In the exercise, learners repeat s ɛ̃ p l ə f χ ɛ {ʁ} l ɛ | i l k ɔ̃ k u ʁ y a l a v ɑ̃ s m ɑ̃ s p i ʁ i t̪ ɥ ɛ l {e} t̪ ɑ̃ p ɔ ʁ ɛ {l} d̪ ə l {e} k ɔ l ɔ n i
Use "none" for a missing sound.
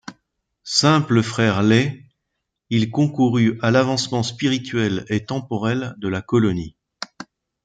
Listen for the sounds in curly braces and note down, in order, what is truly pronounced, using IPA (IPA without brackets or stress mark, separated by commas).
ʁ, e, l, a